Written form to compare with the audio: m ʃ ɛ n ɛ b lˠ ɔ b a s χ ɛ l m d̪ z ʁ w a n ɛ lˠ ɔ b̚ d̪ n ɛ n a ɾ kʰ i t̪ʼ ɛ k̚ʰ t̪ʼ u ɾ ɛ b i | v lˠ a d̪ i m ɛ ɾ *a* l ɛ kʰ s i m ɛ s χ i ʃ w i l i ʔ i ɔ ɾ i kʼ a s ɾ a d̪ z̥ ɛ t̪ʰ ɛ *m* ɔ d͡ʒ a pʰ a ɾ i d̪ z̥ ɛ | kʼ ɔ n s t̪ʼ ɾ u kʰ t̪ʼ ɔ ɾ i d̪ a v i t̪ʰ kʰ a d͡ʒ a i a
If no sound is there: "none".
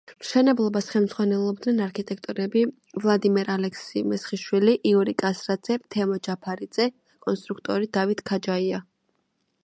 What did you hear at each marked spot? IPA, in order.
a, m

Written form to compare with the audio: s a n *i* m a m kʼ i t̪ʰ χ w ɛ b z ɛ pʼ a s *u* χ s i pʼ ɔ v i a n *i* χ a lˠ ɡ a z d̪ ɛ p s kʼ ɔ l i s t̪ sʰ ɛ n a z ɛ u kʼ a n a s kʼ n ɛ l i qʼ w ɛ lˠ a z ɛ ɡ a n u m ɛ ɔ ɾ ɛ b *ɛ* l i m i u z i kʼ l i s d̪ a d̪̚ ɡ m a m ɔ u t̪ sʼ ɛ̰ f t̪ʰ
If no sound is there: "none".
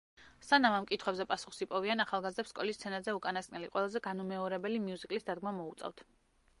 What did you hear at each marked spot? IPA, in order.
a, u, a, ɛ

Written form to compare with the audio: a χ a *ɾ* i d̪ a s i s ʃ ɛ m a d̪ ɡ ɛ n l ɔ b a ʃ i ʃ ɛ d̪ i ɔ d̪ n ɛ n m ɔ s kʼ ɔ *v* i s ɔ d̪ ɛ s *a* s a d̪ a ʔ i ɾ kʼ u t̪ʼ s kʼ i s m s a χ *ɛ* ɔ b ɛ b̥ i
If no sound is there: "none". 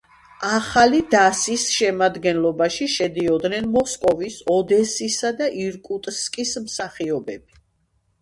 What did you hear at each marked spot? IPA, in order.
l, v, i, i

